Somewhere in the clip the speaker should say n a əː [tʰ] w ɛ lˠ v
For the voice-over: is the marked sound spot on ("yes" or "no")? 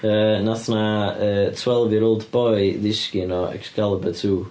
yes